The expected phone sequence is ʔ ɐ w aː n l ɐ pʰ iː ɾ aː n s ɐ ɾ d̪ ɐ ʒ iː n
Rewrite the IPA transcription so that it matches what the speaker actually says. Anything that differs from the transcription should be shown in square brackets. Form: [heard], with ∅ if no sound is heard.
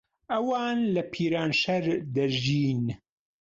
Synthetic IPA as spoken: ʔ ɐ w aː n l ɐ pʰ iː ɾ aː n [ʃ] ɐ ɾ d̪ ɐ ʒ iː n